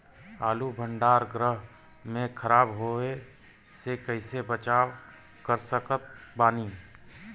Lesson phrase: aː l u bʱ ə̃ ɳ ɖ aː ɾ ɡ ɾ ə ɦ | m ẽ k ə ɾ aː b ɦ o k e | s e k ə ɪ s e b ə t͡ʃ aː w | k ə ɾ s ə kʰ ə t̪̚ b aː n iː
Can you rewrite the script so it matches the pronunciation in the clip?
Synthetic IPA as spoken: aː l u bʱ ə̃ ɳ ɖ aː ɾ ɡ ɾ ə ɦ | m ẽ kʰ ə ɾ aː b ɦ o e | s e k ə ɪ s e b ə t͡ʃ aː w | k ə ɾ s ə k ə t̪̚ b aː n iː